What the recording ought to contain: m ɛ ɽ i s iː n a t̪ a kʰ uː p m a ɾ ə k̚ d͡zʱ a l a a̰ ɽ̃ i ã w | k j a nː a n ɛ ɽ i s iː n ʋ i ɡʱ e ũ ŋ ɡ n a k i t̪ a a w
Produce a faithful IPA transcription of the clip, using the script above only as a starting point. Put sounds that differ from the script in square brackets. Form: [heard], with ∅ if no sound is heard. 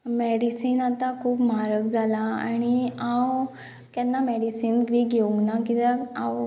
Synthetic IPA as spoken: m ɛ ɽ i s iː n a t̪ a kʰ uː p m a ɾ ə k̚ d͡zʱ a l a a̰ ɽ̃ i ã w | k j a nː a [m] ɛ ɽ i s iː n ʋ i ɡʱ e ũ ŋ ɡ n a k i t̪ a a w